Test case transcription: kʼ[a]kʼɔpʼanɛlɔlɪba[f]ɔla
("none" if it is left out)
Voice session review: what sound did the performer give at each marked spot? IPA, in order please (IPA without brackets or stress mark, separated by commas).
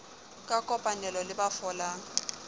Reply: a, f